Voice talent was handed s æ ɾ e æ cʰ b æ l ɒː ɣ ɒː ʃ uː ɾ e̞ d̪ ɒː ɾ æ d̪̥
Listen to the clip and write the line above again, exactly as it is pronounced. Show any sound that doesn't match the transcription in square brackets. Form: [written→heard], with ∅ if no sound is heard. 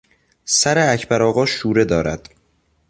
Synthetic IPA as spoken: s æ ɾ e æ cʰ b æ [l→ɾ] ɒː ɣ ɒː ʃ uː ɾ e̞ d̪ ɒː ɾ æ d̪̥